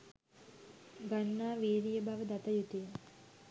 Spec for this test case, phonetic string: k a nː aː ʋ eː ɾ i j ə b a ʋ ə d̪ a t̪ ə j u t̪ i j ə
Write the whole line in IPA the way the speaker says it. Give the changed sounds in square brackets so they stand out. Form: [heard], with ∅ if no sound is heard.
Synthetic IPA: [ɡ] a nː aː ʋ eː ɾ i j ə b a ʋ ə d̪ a t̪ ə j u t̪ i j ə

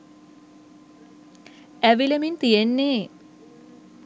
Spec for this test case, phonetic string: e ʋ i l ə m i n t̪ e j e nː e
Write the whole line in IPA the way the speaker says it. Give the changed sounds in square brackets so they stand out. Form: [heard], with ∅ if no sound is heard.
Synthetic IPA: [æ] ʋ i l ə m i n t̪ [i] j e nː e

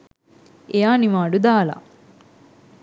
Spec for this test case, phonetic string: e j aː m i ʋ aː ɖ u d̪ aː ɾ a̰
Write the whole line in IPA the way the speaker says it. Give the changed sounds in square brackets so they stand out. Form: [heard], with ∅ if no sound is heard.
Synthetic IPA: e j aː [n] i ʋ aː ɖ u d̪ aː [l] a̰

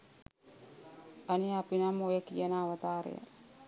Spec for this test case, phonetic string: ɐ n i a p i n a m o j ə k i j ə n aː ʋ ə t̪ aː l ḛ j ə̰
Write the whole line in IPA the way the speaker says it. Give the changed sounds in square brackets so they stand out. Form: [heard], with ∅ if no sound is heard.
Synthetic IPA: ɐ n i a p i n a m o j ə k i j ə n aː ʋ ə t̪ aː [ɾ] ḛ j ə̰

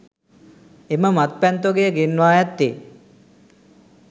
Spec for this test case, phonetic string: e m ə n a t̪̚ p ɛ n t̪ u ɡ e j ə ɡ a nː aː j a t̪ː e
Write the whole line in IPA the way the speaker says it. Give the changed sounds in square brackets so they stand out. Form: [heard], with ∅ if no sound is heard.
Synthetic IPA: e m ə [m] a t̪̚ p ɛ n t̪ [o] ɡ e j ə ɡ [e] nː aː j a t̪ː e

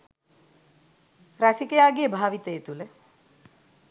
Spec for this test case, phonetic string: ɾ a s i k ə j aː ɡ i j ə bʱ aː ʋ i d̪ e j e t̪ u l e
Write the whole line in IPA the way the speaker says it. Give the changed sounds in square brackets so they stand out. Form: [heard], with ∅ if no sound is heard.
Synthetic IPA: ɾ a s i k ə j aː ɡ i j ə bʱ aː ʋ i [t̪] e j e t̪ u l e

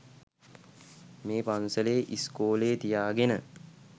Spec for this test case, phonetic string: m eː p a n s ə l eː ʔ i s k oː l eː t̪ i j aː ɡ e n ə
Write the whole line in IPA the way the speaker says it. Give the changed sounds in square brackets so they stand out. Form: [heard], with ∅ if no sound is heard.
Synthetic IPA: m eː p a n s ə l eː ʔ i s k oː l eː t̪ i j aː ɡ e n ə

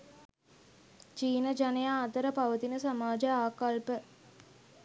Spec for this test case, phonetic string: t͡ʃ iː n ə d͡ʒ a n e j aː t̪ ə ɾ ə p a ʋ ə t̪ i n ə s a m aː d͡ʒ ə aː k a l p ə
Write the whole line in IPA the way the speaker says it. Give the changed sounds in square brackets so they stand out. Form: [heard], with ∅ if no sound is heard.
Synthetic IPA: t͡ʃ iː n ə d͡ʒ a n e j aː t̪ ə ɾ ə p a ʋ ə t̪ i n ə s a m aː d͡ʒ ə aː k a l p ə

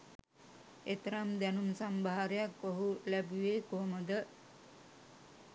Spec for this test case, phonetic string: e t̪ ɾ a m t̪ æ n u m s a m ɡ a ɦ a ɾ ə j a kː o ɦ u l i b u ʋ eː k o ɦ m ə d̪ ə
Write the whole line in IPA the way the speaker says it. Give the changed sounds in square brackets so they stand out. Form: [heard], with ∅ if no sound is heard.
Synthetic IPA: e t̪ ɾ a m [d̪] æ n u m s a m [b] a ɦ a ɾ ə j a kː o ɦ u l [æ] b u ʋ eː k o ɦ m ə d̪ ə

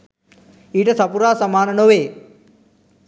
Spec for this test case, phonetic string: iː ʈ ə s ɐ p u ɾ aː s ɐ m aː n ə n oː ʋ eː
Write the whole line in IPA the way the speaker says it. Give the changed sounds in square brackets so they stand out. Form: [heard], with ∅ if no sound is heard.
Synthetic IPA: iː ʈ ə s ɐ p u ɾ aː s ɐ m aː n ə n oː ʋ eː

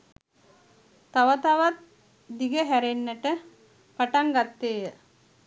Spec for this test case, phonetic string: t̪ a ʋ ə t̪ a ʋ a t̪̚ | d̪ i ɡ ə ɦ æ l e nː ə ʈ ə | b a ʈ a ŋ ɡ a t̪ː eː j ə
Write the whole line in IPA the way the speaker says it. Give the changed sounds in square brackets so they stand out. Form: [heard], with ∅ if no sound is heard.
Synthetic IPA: t̪ a ʋ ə t̪ a ʋ a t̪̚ | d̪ i ɡ ə ɦ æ [ɾ] e nː ə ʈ ə | [p] a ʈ a ŋ ɡ a t̪ː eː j ə

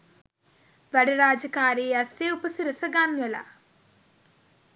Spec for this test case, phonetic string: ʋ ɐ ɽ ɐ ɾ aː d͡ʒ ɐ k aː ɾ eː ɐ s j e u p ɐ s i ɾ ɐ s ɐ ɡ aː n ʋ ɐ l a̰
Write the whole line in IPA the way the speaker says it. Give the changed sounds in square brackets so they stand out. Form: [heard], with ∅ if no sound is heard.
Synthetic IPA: ʋ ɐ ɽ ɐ ɾ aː d͡ʒ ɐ k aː ɾ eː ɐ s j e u p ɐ s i ɾ ɐ s ɐ ɡ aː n ʋ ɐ l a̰

